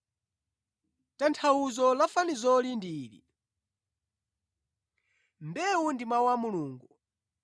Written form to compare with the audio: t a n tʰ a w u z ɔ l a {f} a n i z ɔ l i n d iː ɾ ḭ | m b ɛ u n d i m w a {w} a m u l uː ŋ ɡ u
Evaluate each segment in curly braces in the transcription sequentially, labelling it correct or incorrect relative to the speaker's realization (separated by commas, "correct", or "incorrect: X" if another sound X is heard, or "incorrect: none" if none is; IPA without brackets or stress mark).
correct, correct